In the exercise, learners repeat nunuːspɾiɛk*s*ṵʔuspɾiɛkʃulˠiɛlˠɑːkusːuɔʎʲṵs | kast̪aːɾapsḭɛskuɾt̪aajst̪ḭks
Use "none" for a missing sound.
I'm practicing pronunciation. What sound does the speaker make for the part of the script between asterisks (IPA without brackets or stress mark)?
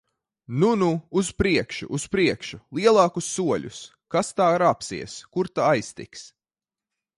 ʃ